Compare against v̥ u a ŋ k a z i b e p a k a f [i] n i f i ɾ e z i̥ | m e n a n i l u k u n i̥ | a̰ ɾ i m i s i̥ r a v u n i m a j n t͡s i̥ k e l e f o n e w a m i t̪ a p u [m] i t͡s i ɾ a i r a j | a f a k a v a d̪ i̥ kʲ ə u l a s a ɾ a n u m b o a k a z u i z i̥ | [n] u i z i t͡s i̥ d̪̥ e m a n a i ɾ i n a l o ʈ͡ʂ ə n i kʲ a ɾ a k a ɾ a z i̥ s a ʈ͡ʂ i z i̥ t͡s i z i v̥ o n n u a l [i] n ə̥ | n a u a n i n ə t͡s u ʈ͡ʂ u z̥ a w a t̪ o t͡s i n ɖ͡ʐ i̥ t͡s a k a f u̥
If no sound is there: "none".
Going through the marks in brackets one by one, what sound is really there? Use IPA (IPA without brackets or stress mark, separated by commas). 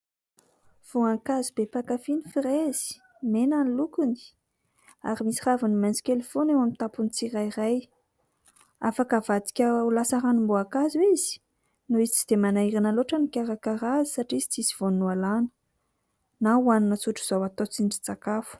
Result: i, n, n, a